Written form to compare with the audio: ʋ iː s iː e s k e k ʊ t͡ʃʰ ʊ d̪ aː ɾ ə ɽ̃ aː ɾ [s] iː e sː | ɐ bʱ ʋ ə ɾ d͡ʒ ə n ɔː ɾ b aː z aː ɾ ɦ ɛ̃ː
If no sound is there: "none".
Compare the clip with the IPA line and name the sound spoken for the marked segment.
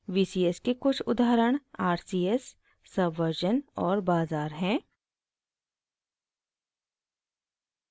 s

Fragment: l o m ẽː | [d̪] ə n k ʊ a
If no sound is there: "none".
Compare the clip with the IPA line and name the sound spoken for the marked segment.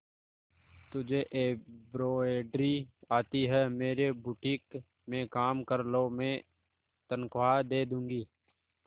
t̪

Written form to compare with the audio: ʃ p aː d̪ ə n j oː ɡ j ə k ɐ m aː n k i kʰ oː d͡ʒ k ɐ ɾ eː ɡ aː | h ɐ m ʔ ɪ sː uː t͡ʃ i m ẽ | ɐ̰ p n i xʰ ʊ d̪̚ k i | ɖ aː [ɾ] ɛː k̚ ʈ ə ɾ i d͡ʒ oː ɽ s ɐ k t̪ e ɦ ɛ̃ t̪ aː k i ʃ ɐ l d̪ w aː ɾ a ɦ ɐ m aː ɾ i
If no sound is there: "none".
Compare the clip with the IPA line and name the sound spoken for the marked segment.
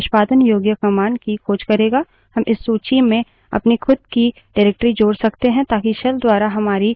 ɾ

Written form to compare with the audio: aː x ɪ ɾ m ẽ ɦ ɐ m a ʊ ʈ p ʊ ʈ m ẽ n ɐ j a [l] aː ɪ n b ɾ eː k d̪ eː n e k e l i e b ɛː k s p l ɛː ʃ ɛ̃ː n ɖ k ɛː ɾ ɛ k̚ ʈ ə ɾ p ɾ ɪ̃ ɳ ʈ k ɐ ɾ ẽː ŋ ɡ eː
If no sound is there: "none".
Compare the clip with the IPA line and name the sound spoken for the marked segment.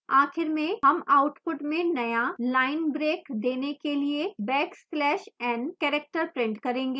l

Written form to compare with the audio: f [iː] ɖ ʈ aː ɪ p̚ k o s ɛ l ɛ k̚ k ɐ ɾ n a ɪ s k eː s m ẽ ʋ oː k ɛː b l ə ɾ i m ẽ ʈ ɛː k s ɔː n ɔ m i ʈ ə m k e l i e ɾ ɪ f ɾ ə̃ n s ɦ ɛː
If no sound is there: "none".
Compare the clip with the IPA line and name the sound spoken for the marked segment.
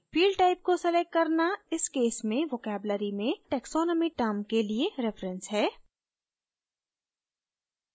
iː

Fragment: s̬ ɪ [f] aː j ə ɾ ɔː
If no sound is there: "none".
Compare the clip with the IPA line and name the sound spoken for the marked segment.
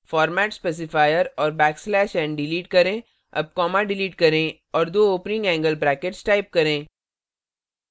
f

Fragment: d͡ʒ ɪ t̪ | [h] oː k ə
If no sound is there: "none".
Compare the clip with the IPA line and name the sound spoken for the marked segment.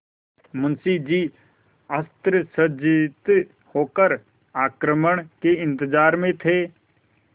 h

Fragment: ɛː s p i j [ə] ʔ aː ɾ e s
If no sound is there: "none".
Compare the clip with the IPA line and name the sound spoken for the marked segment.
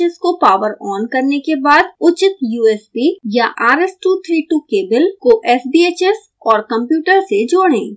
a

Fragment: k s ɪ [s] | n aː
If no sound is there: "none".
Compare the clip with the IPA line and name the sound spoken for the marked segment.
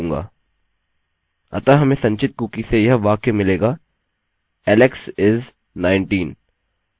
z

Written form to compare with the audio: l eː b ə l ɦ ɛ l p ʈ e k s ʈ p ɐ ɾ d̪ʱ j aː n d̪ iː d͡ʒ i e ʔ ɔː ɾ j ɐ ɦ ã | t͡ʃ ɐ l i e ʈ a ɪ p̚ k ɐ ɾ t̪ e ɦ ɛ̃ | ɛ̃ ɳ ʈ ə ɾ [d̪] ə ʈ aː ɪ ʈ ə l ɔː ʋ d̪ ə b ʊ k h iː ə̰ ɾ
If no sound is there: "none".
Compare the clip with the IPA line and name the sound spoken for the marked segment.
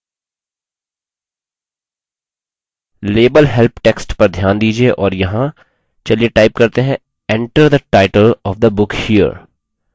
d̪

